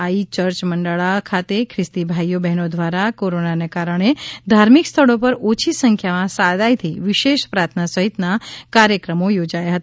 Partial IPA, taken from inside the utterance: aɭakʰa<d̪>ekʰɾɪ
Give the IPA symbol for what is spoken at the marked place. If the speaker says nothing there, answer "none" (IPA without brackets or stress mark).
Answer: t̪